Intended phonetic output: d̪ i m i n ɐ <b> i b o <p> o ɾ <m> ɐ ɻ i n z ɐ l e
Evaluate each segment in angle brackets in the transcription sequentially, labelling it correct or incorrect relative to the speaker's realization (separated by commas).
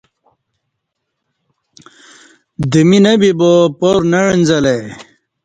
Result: correct, correct, incorrect